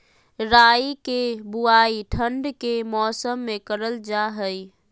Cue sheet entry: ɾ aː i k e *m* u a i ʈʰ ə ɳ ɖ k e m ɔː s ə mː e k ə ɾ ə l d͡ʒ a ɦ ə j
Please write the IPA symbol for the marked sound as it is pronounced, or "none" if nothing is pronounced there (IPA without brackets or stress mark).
b